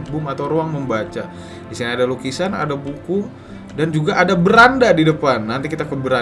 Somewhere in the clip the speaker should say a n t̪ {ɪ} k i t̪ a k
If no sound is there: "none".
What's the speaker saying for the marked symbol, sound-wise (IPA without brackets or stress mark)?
i